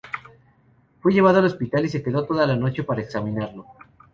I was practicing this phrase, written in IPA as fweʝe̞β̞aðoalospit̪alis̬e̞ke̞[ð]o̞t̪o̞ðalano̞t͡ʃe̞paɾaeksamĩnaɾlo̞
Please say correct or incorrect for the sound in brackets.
correct